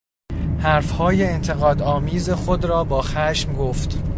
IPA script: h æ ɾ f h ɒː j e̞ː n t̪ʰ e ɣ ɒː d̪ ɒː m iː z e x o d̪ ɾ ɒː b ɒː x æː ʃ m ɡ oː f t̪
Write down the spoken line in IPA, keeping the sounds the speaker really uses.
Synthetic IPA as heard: h æ ɾ f h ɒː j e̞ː n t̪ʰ e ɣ ɒː d̪ ɒː m iː z e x o d̪ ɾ ɒː b ɒː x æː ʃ m ɡ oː f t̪